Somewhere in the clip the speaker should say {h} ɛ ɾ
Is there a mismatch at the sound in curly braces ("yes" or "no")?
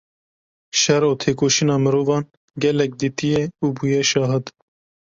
yes